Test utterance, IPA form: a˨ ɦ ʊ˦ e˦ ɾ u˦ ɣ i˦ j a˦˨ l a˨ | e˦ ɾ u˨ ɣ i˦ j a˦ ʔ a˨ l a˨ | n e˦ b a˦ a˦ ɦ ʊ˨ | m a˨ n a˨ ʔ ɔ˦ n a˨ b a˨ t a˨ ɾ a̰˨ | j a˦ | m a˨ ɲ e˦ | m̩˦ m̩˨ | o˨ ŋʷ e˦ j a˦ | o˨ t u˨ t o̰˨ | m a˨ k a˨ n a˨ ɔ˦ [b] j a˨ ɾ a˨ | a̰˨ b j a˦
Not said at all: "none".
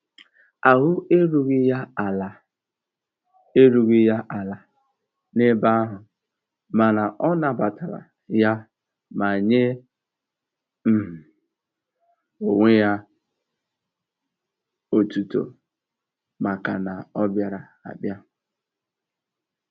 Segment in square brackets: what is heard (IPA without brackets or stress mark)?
b